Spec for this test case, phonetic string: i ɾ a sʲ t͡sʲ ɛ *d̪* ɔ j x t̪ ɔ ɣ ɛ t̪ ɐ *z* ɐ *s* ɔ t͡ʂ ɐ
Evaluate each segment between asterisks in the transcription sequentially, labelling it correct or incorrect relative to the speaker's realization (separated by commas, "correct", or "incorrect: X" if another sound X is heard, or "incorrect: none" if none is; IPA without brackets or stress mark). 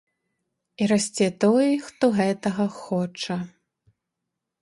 incorrect: t̪, incorrect: ɣ, incorrect: x